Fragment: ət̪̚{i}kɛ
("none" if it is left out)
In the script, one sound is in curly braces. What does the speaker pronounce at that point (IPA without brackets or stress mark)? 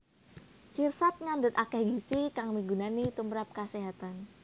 a